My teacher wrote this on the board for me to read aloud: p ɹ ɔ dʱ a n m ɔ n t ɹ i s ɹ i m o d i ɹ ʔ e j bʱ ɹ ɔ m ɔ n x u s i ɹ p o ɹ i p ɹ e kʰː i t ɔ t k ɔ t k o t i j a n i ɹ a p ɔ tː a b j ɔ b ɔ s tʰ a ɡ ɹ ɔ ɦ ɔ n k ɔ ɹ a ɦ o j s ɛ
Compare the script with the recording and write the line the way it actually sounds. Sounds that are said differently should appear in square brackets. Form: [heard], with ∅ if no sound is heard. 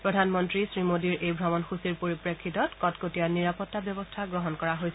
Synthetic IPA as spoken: p ɹ ɔ dʱ a n m ɔ n t ɹ i s ɹ i m o d i ɹ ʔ e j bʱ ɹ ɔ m ɔ n x u s i ɹ p o ɹ i p ɹ e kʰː i t ɔ t k ɔ t k o t i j a n i ɹ a p ɔ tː a b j ɔ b ɔ s tʰ a ɡ ɹ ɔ ɦ ɔ n k ɔ ɹ a ɦ o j s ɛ